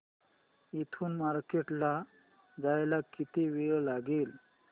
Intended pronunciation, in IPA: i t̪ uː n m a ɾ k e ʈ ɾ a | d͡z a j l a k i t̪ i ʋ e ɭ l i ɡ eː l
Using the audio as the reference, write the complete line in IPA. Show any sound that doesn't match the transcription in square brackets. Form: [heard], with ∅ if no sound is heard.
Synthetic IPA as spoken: i [t̪ʰ] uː n m a ɾ k e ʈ [l] a | d͡z a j l a k i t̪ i ʋ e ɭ l [a] ɡ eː l